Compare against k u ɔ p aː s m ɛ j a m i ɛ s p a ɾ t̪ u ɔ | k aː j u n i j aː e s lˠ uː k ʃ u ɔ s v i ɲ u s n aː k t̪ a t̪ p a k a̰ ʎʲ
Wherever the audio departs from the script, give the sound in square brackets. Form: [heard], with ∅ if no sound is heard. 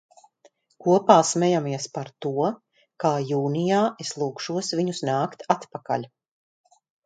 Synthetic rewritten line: k u ɔ p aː s m ɛ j a m i ɛ s p a ɾ t̪ u ɔ | k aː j [uː] n i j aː e s lˠ uː k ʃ u ɔ s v i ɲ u s n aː k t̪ a t̪ p a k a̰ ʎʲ